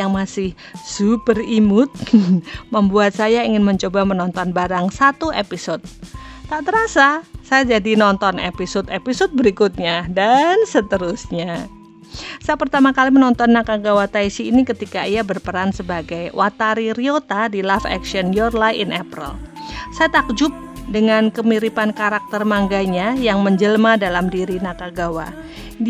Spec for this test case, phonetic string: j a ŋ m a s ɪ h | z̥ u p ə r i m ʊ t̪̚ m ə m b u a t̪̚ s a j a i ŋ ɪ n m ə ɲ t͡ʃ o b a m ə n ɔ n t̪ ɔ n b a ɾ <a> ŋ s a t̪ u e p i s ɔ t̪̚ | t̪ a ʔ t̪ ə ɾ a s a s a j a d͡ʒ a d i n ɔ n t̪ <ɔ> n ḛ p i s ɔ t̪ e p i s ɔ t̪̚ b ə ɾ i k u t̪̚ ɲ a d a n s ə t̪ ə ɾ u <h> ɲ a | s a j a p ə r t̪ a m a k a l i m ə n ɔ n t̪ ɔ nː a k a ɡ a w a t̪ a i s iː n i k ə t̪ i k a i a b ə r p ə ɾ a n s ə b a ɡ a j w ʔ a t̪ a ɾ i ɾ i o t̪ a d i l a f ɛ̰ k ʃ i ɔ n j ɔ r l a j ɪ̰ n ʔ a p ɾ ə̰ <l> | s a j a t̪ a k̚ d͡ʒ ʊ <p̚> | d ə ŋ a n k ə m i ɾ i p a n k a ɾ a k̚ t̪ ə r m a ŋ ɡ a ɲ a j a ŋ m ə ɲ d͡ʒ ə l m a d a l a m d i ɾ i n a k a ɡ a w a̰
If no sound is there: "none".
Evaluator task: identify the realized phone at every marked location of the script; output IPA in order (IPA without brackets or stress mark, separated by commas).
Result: a, ɔ, s, l, p̚